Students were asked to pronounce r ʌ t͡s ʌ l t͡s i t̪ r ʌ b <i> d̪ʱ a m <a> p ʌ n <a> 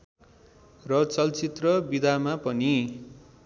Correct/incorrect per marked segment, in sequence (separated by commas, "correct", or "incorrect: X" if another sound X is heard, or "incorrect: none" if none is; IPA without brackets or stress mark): correct, correct, incorrect: i